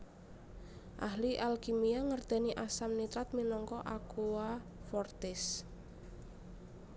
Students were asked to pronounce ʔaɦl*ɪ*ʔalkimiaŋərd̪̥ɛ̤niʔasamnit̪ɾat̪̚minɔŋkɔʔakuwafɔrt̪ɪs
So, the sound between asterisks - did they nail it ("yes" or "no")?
no